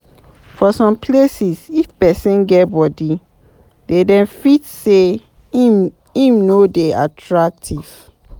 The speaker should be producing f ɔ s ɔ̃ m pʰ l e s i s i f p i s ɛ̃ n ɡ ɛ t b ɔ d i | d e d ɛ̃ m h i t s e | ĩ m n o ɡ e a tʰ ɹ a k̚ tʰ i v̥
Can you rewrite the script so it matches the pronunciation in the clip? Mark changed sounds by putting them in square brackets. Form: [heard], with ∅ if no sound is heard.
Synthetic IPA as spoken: f ɔ s ɔ̃ m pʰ l e s i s i f p [ɛ] s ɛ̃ n ɡ ɛ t b ɔ d i | d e d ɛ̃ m [f] i t s e | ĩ m n o [d] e a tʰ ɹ a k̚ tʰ i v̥